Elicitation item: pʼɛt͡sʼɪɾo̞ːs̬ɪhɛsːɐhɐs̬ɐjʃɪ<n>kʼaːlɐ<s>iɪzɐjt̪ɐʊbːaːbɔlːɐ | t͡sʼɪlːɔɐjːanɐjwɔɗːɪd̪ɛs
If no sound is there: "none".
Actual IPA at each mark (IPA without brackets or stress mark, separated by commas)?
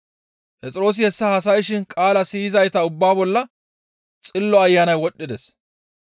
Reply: n, s